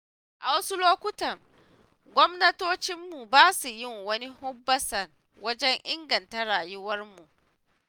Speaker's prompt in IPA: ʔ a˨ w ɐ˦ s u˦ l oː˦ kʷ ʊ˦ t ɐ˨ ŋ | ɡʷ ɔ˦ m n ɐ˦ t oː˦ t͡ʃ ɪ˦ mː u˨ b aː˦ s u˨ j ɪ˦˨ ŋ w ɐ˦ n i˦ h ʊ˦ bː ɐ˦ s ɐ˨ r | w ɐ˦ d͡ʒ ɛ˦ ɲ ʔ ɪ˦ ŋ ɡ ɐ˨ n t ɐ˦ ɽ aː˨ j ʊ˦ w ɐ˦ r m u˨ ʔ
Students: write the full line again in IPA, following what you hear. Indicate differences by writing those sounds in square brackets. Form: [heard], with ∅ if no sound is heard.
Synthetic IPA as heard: ʔ a˨ w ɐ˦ s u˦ l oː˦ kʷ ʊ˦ t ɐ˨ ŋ | ɡʷ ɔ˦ m n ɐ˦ t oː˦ t͡ʃ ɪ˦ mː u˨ b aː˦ s u˨ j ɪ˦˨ ŋ w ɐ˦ n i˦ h ʊ˦ bː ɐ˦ s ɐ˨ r | w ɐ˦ d͡ʒ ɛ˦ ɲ ʔ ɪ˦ ŋ ɡ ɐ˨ n t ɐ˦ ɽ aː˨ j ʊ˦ w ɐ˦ r m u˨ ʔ